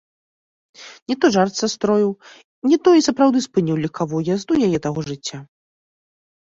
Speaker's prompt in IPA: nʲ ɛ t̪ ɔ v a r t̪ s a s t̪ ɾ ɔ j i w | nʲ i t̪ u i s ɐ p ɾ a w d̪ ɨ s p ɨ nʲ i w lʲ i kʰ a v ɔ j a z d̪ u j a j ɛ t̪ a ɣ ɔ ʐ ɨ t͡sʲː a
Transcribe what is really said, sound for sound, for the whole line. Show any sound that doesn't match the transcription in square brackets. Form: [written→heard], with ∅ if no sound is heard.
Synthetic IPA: nʲ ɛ t̪ ɔ [v→ʐ] a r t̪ s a s t̪ ɾ ɔ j i w | nʲ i t̪ [u→ɔ] i s ɐ p ɾ a w d̪ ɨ s p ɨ nʲ i w lʲ i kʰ a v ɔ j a z d̪ u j a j ɛ t̪ a ɣ ɔ ʐ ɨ t͡sʲː a